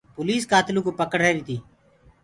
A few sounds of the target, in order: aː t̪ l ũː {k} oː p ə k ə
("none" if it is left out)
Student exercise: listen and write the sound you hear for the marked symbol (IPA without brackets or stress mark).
k